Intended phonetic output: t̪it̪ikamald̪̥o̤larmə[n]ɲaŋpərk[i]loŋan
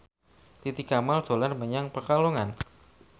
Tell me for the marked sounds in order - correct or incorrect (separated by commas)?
incorrect, incorrect